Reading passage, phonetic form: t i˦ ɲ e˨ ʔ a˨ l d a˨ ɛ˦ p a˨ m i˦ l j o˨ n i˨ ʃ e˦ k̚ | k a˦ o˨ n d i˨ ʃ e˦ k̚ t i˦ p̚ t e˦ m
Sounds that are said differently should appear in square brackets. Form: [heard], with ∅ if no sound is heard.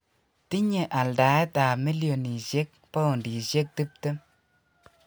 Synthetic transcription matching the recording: t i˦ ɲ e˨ ʔ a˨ l d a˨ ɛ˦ [t] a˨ m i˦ l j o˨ n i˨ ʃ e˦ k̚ | [p] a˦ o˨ n d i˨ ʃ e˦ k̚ t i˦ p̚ t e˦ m